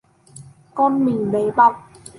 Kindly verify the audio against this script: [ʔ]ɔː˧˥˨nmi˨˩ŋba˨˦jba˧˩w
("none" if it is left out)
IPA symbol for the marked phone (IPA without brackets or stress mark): k